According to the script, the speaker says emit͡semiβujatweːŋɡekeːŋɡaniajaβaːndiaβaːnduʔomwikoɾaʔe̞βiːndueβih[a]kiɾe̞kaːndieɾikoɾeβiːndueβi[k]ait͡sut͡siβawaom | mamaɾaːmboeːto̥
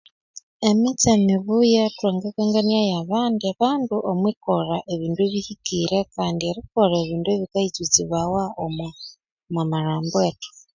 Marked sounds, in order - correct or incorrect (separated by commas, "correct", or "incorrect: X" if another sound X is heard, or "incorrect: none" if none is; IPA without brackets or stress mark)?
incorrect: i, correct